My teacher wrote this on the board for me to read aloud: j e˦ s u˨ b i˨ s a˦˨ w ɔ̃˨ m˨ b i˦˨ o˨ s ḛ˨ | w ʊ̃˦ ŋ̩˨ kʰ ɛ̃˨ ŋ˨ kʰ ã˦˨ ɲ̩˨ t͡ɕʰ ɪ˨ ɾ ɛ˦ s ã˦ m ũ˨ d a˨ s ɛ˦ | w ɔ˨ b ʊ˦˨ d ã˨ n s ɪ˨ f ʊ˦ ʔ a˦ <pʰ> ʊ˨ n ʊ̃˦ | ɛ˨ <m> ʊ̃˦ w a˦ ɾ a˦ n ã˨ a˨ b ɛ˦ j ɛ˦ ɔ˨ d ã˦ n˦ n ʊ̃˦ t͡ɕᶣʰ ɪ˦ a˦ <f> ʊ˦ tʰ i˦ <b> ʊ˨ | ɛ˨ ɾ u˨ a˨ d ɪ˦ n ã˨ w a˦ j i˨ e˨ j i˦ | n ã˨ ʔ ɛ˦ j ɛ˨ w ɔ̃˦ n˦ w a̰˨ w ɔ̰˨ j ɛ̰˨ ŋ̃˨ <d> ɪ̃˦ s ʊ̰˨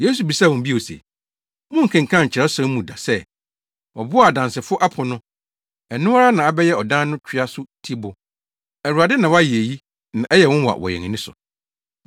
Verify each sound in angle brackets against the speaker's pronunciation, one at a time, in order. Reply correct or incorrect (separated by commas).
correct, incorrect, incorrect, correct, incorrect